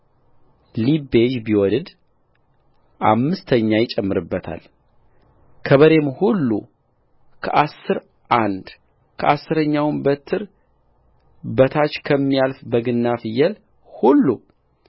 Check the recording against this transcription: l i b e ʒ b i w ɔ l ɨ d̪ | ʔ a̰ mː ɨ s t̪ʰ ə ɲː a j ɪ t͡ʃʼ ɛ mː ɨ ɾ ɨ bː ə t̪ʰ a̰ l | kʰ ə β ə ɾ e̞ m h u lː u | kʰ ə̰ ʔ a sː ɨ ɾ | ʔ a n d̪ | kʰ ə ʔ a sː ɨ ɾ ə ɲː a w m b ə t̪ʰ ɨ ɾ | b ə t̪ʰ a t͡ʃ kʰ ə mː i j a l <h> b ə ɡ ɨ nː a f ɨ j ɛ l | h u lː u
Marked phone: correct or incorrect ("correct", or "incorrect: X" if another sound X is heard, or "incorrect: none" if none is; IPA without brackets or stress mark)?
incorrect: f